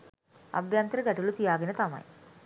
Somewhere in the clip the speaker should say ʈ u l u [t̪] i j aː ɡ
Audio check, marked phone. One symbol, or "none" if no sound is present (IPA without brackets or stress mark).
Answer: t̪